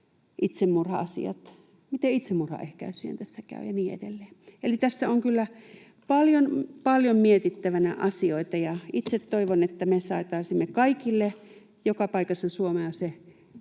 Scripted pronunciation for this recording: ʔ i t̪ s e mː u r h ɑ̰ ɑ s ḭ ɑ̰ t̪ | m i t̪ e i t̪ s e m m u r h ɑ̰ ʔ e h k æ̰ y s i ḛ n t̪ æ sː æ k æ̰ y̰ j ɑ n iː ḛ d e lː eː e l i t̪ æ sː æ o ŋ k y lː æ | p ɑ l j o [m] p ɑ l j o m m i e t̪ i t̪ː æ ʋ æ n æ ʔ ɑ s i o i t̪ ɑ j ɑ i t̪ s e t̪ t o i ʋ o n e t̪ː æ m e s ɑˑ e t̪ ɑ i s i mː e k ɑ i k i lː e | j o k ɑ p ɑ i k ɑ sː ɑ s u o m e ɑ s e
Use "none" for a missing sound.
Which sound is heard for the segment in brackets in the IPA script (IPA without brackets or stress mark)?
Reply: n